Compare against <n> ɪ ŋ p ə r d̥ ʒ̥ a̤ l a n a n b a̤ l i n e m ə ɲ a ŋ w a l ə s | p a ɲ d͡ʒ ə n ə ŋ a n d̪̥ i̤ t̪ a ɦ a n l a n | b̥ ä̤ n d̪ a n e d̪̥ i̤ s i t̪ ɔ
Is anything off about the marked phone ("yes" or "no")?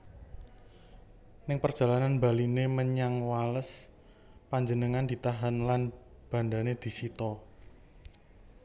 no